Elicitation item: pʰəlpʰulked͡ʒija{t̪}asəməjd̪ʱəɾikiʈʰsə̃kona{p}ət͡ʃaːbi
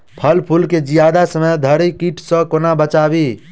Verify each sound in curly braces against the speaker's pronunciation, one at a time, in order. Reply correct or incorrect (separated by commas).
incorrect, incorrect